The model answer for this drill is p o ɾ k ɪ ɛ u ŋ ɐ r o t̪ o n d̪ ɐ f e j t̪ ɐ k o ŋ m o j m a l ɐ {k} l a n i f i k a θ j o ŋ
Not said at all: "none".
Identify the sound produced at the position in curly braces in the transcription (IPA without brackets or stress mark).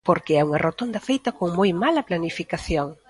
p